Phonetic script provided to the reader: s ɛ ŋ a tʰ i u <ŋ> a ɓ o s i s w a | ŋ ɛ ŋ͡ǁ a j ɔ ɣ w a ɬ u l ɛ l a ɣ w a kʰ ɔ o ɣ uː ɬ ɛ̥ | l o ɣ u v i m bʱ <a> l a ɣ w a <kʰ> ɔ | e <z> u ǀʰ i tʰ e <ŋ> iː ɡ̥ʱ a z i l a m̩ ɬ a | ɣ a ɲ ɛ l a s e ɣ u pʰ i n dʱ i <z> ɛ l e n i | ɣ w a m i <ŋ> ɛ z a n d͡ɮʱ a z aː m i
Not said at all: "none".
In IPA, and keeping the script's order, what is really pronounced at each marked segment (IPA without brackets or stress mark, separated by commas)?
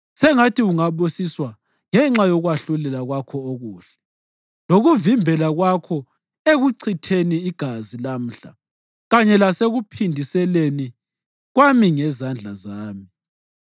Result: ŋ, ɛ, kʰ, ɣ, n, s, ŋ